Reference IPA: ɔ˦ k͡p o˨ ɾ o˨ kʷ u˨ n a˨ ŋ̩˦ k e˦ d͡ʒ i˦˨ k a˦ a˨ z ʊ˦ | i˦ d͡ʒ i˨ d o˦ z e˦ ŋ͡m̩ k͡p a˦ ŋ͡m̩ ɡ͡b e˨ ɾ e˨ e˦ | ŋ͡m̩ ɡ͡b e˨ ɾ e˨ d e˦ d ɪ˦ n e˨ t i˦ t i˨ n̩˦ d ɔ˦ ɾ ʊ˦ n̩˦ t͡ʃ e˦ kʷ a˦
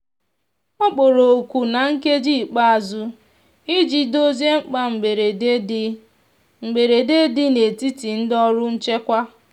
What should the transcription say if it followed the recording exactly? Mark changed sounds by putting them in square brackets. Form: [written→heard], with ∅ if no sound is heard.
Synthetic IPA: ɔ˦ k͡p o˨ ɾ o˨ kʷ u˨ n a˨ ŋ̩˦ k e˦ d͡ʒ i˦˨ [k→k͡p] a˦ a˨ z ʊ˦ | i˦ d͡ʒ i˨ d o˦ z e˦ ŋ͡m̩ k͡p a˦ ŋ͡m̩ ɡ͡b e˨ ɾ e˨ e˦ | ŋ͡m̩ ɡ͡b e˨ ɾ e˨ d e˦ d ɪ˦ n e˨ t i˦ t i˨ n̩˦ d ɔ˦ ɾ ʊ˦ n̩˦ t͡ʃ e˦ kʷ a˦